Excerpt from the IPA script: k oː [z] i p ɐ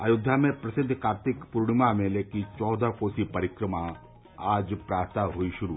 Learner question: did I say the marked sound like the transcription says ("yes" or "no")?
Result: no